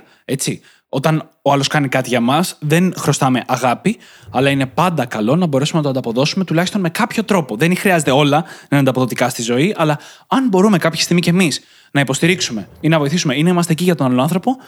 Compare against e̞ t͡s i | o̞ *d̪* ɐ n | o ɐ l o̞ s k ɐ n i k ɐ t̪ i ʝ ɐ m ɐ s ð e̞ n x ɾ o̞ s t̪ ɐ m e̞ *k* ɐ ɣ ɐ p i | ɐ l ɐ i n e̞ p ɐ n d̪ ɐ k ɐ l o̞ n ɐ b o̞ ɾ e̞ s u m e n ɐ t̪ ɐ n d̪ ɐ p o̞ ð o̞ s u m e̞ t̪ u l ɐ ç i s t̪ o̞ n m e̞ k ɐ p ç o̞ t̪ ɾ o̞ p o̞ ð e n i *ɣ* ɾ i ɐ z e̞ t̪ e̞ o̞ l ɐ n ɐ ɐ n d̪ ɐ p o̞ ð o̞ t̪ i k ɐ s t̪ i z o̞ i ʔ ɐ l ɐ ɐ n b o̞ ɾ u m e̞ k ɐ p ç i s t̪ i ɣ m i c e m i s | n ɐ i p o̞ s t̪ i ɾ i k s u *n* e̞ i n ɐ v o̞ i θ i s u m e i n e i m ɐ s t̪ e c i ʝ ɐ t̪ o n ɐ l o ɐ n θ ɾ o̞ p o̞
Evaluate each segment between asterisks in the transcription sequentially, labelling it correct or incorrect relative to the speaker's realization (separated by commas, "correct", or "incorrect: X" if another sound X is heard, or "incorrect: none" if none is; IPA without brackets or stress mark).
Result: incorrect: t̪, incorrect: ʔ, incorrect: x, incorrect: m